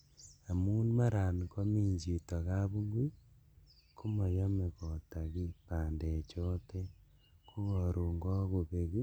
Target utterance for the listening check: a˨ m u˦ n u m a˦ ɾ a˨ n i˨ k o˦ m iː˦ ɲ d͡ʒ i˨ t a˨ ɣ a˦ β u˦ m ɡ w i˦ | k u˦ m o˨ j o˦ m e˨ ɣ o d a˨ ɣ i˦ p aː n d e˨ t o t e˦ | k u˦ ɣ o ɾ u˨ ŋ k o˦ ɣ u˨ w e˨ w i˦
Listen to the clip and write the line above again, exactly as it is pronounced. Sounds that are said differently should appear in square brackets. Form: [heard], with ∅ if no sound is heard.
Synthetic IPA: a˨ m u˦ n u m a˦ ɾ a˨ n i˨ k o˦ m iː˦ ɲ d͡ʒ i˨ t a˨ ɣ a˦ β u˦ [ŋ] ɡ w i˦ | k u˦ m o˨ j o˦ m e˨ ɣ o [t] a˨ ɣ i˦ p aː n d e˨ [t͡ʃ] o t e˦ | k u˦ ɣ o ɾ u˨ ŋ [ɡ] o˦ ɣ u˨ [β] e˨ [ɣ] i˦